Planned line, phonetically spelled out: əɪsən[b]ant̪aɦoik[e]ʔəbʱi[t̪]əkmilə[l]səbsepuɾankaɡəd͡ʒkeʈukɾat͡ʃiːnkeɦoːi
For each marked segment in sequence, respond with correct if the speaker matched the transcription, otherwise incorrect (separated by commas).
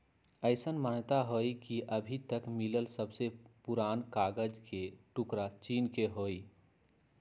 incorrect, incorrect, correct, correct